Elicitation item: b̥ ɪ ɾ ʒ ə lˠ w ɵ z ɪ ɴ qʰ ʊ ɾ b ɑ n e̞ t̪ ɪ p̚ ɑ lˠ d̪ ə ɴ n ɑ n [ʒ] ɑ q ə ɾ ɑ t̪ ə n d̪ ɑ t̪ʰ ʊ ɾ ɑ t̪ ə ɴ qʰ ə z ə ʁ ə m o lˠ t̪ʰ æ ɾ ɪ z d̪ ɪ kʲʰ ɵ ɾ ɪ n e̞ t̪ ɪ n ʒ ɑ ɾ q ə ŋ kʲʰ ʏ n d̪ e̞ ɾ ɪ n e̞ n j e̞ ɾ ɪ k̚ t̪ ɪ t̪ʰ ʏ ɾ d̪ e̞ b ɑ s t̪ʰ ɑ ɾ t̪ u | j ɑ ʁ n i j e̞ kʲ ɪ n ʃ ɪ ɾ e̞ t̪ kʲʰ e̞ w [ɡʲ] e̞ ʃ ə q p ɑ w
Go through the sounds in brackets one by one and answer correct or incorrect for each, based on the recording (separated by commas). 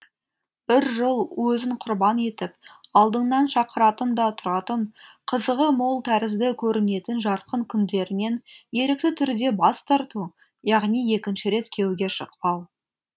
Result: incorrect, correct